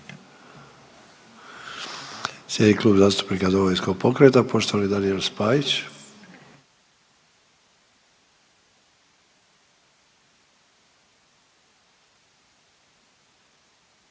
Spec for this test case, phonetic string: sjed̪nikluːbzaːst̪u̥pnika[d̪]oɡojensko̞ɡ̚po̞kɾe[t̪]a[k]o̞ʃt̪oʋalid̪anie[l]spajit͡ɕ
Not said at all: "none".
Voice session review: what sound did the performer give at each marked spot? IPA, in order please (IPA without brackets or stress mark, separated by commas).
d̪, t̪, p, l